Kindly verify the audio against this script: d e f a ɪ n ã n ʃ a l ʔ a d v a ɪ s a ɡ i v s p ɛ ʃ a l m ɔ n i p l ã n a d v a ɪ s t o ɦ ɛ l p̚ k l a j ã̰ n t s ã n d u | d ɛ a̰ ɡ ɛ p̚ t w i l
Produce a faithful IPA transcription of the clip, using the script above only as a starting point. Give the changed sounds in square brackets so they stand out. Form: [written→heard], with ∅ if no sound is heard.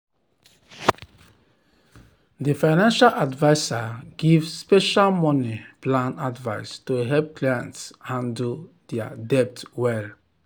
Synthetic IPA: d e f a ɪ n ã n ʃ a l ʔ a d v a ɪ s a ɡ i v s p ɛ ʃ a l m ɔ n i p l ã n a d v a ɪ s t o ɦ ɛ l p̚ k l a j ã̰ n t s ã n d u | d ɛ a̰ [ɡ→d] ɛ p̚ t w [i→ɛ] l